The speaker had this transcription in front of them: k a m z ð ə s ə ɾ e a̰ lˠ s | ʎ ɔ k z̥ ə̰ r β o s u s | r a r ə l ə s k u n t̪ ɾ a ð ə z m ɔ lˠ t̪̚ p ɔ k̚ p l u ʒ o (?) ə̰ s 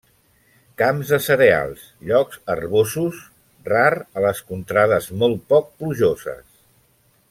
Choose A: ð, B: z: B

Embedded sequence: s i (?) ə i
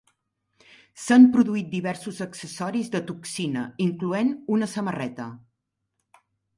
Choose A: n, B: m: A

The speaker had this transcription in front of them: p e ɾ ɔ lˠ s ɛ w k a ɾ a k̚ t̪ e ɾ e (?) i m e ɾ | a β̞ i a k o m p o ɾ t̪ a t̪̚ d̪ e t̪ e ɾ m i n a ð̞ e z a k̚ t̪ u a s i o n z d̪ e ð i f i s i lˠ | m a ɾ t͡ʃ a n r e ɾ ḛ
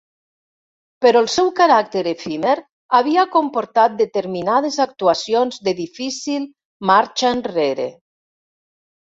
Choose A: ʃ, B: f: B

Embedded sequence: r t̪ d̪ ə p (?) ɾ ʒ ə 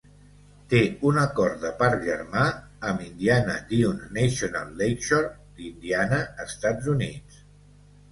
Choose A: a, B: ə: A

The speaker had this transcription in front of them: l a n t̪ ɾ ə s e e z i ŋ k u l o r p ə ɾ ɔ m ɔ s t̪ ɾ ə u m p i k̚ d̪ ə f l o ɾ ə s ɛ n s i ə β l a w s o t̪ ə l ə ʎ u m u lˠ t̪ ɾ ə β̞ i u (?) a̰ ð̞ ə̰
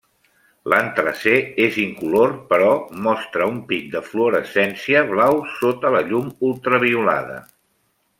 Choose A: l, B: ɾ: A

